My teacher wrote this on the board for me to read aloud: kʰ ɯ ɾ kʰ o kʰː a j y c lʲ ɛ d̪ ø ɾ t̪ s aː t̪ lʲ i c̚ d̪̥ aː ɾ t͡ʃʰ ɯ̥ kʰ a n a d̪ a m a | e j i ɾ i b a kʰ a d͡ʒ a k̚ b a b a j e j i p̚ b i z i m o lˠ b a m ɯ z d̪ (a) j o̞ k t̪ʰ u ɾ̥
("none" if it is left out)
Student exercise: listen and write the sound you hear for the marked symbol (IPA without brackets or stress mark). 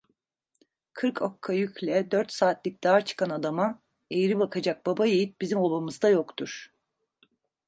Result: a